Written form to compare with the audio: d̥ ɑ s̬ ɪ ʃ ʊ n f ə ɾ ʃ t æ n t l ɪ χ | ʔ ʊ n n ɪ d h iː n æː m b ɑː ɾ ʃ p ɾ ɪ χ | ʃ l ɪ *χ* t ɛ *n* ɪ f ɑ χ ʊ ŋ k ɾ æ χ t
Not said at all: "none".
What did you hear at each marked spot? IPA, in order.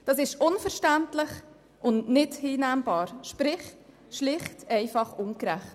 χ, none

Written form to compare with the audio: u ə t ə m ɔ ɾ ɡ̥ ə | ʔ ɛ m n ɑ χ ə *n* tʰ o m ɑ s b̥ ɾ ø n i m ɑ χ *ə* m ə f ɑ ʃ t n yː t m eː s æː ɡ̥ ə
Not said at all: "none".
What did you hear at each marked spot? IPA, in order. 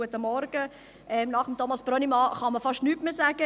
m, ɑ

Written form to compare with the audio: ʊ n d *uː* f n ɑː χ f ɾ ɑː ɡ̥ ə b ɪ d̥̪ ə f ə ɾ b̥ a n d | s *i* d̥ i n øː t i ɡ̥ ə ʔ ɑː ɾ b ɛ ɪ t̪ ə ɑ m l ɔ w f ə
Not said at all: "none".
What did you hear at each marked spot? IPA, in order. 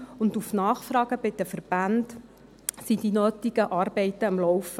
u, i

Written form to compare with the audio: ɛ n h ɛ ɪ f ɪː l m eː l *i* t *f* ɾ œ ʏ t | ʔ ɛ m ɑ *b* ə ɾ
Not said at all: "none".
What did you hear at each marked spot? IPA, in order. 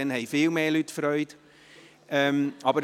y, f, b

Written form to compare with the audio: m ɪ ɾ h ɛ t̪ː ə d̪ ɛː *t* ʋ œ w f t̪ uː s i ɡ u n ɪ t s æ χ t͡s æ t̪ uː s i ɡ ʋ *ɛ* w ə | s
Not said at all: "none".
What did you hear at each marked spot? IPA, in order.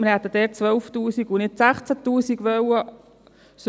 t͡s, œ

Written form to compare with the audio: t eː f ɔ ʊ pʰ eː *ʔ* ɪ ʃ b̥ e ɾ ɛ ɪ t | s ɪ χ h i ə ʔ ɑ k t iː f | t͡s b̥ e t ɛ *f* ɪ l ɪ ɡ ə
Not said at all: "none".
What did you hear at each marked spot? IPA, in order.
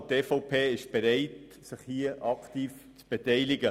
none, none

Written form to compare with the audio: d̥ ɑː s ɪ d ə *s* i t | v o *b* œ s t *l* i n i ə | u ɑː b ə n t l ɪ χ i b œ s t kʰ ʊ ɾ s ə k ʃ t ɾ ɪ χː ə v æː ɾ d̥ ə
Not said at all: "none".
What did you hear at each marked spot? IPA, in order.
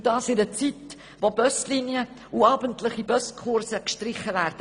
t͡s, b, l

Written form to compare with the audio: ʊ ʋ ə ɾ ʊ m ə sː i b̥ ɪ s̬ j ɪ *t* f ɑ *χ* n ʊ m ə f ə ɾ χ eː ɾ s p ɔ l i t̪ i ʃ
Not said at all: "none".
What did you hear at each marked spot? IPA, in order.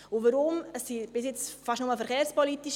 t͡s, ʃ

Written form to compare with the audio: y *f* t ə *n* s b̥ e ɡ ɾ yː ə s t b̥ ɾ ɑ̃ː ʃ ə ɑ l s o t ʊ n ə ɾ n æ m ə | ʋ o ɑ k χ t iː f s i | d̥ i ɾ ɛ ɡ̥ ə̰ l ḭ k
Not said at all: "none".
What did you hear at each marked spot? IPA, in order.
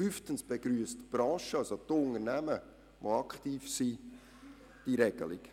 f, n

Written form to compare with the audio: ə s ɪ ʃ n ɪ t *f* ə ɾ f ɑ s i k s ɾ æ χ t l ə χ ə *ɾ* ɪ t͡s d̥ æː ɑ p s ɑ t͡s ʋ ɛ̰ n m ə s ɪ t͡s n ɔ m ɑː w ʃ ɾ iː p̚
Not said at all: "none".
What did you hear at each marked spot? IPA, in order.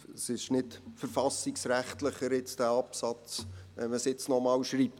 f, ɾ

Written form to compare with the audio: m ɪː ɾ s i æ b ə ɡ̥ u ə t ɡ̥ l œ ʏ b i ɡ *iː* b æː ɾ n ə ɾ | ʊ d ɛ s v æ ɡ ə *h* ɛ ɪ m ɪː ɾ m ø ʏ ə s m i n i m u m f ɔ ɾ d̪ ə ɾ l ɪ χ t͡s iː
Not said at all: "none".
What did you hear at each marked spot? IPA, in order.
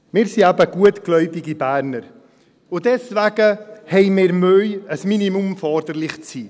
i, h

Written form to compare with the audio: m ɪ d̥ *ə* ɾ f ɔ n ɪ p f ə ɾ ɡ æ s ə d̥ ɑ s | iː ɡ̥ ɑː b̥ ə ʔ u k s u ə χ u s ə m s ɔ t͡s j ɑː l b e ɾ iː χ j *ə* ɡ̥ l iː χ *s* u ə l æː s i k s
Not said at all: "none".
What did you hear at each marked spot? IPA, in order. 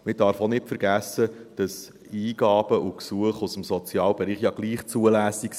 ɑ, ɑ, t͡s

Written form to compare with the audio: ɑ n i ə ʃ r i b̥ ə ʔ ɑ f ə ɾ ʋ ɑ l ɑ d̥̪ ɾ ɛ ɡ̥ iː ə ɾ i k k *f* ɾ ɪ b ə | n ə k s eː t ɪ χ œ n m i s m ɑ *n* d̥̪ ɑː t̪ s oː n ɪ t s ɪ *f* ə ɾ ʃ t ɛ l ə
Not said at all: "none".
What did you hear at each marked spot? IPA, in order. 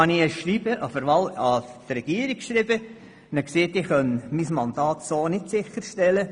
ʃ, n, χ

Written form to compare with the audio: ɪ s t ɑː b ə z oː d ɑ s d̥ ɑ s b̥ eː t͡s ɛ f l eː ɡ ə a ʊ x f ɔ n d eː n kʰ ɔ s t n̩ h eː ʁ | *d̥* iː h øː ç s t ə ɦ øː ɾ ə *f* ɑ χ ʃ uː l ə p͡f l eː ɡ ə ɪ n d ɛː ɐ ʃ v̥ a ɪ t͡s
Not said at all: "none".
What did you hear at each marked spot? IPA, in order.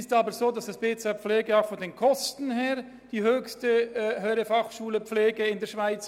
d̥, f

